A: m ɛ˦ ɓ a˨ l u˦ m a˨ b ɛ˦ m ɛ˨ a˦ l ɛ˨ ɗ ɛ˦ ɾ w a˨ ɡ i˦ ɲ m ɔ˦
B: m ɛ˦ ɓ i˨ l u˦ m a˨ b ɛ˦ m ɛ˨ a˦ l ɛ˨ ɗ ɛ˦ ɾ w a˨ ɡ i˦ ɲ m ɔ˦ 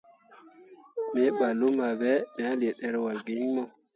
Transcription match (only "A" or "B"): A